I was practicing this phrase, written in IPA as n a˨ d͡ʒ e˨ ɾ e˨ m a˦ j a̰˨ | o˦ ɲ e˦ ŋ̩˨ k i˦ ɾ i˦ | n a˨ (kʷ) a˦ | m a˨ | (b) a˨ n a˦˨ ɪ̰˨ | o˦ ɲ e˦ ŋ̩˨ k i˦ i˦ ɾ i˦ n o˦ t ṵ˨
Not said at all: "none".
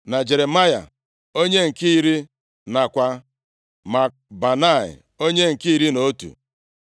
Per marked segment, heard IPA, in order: kʷ, b

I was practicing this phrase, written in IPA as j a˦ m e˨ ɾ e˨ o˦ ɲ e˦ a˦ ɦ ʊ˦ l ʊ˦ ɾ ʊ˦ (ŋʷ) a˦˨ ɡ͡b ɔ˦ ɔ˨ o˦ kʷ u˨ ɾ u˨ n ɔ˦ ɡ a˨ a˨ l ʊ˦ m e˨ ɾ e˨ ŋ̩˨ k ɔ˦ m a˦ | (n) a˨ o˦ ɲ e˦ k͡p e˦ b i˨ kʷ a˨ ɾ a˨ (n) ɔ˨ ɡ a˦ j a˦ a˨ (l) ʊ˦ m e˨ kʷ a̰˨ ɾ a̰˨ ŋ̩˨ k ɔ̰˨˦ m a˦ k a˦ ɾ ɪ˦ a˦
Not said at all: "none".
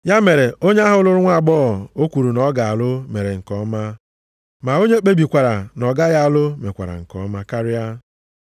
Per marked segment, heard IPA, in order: ŋʷ, m, n, l

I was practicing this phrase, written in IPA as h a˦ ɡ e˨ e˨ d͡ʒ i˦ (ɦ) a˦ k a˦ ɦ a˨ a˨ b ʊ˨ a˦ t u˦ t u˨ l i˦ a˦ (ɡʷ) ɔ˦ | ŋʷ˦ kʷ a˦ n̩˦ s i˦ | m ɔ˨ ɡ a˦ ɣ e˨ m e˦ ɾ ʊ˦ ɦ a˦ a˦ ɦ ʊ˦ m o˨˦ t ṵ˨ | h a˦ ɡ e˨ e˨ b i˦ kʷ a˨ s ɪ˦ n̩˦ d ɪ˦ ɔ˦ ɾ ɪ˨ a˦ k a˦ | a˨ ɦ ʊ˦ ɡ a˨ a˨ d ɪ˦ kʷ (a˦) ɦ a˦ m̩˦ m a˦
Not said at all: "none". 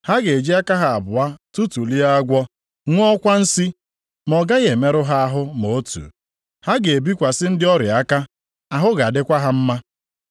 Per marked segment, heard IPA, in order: none, ɡʷ, a˦

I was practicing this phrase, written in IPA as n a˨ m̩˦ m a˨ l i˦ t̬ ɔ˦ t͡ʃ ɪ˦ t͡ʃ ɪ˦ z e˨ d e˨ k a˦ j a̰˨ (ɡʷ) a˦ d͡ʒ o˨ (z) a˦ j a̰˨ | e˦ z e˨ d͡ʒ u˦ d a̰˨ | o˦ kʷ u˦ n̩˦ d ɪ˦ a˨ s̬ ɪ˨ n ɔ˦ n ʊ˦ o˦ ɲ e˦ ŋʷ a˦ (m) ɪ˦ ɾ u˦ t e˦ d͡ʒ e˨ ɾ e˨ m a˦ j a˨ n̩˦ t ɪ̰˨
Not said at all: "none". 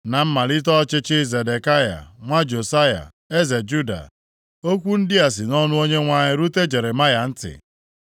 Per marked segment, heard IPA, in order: ŋʷ, s, ɲ

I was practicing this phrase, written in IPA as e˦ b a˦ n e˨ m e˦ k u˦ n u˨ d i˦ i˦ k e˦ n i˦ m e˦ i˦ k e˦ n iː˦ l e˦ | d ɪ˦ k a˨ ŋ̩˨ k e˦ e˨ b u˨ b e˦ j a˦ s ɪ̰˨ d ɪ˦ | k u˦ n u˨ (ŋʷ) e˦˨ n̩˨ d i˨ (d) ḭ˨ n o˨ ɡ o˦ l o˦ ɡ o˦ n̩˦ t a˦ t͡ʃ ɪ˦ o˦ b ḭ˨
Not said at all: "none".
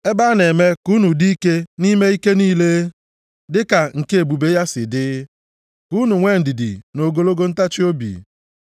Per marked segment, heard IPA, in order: ŋʷ, d

